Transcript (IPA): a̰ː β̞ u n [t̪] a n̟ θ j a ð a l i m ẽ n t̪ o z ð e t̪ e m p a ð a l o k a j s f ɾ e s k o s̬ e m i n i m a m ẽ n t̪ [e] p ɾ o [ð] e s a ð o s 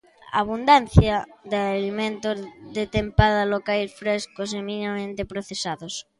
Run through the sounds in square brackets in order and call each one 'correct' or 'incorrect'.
incorrect: d̪, correct, incorrect: θ

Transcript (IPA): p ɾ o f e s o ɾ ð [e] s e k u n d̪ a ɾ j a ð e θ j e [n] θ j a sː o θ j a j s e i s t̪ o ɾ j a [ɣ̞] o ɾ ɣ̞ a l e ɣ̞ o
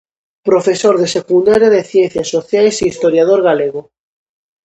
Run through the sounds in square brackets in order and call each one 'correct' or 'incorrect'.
correct, correct, incorrect: ð̞

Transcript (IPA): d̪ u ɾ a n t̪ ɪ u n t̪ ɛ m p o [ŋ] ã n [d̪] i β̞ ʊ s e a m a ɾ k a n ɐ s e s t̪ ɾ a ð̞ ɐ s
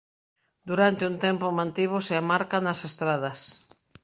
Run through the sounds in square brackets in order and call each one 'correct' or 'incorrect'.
incorrect: m, incorrect: t̪

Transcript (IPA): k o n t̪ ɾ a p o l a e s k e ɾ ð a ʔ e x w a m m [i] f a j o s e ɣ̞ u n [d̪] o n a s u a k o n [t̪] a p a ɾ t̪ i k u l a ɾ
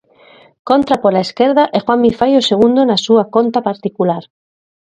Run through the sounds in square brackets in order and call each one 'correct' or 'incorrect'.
correct, correct, correct

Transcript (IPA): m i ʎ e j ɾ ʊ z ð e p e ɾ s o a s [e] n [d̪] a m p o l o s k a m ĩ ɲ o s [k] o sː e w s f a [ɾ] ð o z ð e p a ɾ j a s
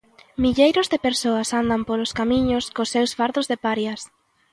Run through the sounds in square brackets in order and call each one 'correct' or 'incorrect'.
incorrect: a, correct, correct, correct

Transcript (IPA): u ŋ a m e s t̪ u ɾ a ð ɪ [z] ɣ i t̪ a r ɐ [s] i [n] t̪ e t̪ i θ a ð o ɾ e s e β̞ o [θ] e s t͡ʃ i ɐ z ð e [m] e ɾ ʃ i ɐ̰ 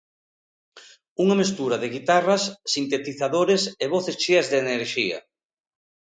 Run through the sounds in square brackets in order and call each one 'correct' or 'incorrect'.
incorrect: none, incorrect: sː, correct, correct, incorrect: n

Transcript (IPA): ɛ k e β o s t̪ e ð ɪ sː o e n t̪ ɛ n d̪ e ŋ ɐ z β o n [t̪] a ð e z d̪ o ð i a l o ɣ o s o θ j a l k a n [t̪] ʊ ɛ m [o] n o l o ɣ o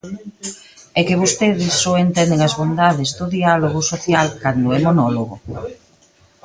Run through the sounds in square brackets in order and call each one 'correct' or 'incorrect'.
incorrect: d̪, incorrect: d̪, correct

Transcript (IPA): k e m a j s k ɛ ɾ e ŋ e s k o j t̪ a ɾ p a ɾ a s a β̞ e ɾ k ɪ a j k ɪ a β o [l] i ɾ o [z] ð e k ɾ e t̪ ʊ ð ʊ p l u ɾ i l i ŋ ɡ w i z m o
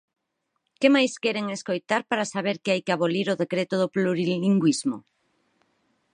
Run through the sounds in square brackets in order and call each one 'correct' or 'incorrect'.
correct, incorrect: none

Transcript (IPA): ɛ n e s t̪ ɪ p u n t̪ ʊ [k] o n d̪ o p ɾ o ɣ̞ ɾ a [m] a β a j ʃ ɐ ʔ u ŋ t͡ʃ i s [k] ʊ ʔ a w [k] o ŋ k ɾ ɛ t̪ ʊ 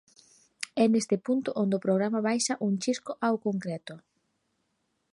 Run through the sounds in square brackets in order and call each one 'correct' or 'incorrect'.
incorrect: ʔ, correct, correct, correct

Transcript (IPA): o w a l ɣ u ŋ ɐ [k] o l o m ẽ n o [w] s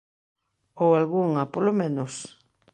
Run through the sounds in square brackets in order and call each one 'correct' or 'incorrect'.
incorrect: p, incorrect: none

